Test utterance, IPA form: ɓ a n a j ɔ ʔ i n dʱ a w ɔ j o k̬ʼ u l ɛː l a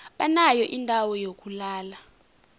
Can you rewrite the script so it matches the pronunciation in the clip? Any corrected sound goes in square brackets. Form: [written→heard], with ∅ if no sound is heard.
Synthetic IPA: ɓ a n a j ɔ ʔ i n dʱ a w ɔ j o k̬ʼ u l [ɛː→aː] l a